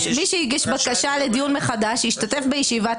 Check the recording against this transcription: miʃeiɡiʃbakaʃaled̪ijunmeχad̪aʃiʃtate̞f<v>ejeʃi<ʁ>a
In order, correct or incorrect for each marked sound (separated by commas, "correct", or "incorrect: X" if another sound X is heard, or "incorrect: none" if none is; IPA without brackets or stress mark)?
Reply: incorrect: b, incorrect: v